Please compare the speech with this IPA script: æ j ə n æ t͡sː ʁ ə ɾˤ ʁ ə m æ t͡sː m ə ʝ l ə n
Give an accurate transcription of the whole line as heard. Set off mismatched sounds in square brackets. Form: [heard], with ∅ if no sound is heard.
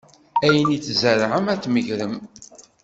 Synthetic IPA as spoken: æ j ə n [i] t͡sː [z] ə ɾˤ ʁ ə m æ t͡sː m ə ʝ [ɾ] ə [m]